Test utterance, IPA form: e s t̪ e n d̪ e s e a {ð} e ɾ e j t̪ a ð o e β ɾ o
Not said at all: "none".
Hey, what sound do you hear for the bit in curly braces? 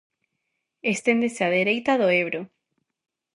ð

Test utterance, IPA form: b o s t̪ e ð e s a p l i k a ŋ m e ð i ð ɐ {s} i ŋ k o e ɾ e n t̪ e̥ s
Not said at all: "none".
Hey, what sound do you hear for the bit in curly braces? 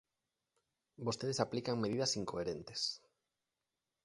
s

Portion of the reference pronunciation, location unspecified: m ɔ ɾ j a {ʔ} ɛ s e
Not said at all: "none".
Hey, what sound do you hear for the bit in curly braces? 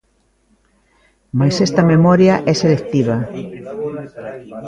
ʔ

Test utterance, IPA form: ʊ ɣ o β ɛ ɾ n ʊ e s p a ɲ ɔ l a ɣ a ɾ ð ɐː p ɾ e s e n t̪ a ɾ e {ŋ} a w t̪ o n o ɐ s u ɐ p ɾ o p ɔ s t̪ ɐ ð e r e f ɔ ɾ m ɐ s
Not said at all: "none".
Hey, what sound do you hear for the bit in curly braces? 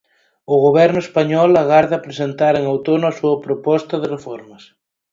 ŋ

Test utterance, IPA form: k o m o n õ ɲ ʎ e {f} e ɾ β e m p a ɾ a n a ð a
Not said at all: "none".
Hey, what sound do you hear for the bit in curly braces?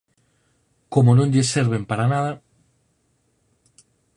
s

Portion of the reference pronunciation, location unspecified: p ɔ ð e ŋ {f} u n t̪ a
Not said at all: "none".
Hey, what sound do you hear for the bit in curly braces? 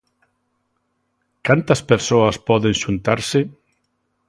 ʃ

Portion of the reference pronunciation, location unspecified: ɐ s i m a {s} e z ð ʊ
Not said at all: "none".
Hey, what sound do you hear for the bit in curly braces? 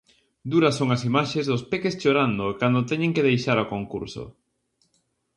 ʃ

